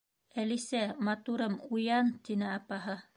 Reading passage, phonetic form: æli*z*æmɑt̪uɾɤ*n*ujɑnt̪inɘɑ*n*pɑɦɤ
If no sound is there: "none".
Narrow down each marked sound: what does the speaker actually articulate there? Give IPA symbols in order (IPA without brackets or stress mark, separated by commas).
s, m, none